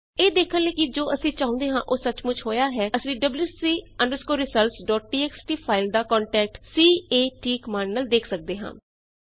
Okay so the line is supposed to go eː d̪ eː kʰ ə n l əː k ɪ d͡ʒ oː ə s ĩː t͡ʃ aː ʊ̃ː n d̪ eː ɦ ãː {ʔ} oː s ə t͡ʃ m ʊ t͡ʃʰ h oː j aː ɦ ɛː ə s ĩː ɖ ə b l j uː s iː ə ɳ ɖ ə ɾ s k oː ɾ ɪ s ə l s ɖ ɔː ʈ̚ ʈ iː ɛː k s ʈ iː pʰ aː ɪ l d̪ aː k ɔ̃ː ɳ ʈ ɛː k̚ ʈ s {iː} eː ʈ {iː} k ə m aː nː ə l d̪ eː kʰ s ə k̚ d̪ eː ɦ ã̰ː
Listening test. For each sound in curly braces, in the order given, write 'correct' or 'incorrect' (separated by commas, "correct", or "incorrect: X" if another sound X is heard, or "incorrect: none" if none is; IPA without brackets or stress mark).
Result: correct, correct, correct